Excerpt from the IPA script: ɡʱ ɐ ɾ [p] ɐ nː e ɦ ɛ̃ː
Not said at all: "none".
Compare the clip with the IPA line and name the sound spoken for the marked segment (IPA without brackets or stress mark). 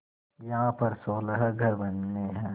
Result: b